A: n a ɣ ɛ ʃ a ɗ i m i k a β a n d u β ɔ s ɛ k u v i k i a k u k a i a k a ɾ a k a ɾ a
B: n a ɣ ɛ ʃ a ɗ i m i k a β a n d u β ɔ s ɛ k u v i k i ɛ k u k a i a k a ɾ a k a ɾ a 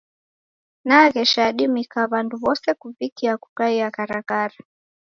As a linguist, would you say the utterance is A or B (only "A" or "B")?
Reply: A